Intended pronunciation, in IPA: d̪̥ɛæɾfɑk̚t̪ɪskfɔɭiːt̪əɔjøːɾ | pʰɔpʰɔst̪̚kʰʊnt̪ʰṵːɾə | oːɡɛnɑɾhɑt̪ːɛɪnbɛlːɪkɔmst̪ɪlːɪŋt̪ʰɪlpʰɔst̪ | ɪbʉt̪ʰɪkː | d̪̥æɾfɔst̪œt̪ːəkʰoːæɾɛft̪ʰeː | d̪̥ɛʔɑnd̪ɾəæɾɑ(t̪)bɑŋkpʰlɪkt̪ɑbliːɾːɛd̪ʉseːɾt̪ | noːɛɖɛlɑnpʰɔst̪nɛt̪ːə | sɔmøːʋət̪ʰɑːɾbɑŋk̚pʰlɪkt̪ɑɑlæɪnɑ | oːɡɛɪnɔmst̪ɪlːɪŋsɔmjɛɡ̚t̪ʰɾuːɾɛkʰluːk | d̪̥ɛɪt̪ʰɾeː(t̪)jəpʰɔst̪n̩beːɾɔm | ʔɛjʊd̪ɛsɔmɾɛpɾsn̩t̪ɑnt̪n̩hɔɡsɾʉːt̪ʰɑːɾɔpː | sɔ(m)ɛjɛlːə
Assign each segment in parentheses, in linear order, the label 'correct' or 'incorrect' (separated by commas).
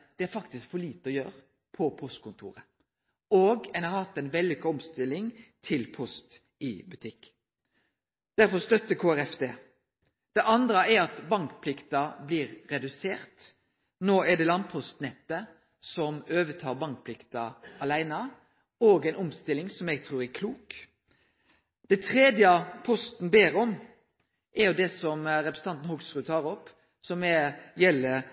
correct, incorrect, correct